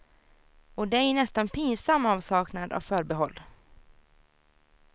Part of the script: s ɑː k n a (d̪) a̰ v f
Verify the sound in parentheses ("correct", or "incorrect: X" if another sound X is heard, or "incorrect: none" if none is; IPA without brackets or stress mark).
correct